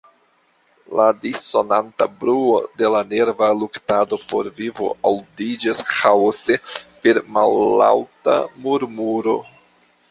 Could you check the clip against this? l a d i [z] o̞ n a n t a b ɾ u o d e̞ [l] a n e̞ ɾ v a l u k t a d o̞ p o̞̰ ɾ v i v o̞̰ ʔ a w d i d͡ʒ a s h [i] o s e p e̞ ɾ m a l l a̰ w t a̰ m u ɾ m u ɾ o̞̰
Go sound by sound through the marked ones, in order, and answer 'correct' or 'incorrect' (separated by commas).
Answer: incorrect, correct, incorrect